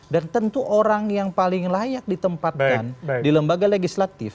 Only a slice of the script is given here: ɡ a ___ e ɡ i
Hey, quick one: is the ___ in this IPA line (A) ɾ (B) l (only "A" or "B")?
B